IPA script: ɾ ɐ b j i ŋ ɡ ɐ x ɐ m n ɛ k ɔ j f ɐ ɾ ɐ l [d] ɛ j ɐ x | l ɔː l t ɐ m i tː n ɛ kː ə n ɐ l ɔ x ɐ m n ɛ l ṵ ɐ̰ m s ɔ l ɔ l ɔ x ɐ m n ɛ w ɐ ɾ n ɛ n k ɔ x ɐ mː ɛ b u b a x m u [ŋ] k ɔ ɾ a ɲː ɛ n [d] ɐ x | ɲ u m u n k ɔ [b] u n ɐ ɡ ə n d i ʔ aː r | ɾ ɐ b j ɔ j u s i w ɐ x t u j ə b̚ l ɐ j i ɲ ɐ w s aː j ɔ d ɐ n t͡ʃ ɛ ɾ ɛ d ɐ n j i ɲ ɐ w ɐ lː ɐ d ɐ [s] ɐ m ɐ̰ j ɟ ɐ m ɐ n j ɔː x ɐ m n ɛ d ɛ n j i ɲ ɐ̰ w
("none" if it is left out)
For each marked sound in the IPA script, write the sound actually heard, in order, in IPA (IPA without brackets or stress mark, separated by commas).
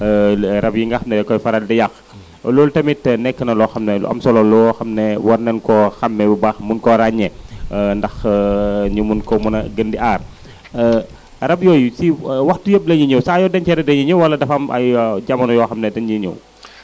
d, n, d, m, f